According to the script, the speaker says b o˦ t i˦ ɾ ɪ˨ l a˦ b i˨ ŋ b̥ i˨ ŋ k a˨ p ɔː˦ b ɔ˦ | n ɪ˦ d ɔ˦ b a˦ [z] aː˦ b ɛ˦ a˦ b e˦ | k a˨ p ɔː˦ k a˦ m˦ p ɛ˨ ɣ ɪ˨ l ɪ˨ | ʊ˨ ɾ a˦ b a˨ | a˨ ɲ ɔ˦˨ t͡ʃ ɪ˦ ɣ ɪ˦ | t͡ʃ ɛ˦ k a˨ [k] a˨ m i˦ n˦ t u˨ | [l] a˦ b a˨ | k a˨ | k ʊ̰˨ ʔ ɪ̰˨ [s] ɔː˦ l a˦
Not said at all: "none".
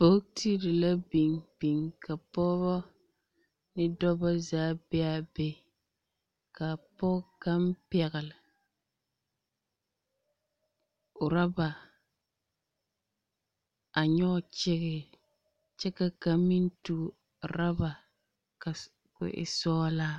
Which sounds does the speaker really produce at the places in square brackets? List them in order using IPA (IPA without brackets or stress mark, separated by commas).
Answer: z, k, ɾ, s